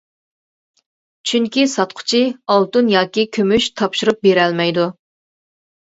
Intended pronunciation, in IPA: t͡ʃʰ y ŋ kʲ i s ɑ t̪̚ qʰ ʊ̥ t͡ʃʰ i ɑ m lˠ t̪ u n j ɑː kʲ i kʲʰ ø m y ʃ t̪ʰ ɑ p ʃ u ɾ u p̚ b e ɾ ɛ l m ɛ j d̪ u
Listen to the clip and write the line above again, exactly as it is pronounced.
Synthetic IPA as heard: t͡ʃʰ y ŋ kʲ i s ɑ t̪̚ qʰ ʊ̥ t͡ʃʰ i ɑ lˠ t̪ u n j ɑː kʲ i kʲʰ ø m y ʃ t̪ʰ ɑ p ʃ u ɾ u p̚ b e ɾ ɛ l m ɛ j d̪ u